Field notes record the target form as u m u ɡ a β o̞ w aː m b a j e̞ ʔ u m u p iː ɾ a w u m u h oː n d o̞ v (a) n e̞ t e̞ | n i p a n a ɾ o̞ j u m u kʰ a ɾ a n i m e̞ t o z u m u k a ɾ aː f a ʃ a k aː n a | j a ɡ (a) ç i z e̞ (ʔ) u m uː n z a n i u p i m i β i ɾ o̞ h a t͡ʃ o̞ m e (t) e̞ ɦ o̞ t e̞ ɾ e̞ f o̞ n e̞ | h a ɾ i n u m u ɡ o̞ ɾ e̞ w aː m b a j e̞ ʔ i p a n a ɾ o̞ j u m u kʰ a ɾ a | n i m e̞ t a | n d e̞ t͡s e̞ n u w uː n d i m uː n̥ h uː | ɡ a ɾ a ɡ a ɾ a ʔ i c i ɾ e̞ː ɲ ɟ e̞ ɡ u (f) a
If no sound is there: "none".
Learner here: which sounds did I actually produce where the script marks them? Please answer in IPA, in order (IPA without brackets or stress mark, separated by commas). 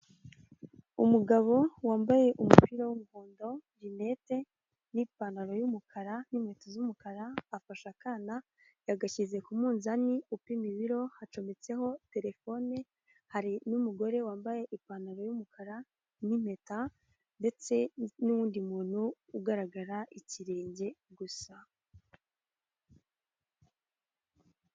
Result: i, a, k, t͡s, s